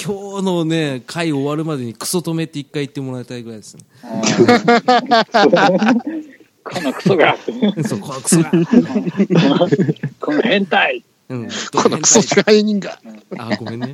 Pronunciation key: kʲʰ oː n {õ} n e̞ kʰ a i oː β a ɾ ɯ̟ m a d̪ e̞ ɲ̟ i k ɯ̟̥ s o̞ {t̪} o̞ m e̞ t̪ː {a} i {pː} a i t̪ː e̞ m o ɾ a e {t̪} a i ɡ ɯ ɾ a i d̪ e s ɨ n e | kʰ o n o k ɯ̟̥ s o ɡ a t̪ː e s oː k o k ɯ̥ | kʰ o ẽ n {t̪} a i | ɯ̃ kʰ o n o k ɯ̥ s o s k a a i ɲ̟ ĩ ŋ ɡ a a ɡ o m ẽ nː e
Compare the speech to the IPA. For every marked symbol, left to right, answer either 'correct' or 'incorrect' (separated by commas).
incorrect, correct, incorrect, incorrect, correct, correct